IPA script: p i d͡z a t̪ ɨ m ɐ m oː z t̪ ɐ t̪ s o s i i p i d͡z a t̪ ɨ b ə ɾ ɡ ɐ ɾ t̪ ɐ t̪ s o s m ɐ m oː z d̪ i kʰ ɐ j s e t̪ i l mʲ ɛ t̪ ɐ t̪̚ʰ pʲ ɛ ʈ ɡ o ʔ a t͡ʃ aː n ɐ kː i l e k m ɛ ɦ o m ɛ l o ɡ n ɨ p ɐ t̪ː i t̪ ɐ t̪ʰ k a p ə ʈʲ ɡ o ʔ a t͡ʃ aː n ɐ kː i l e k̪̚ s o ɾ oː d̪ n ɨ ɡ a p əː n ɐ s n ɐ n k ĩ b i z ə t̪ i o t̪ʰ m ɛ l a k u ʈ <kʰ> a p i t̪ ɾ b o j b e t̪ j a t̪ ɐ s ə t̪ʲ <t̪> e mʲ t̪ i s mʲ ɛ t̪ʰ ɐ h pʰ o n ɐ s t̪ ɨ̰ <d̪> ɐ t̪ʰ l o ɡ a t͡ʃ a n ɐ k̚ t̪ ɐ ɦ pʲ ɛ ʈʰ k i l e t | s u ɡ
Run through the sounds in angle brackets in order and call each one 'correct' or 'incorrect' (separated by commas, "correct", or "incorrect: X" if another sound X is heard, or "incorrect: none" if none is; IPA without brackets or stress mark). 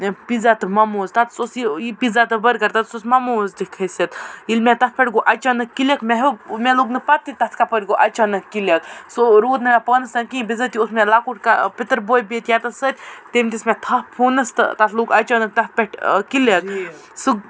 incorrect: k, correct, incorrect: t̪